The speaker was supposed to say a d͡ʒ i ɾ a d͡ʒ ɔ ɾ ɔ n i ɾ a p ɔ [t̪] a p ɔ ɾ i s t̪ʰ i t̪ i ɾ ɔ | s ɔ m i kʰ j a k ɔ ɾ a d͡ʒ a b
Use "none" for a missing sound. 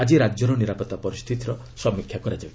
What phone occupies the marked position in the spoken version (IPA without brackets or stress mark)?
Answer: t̪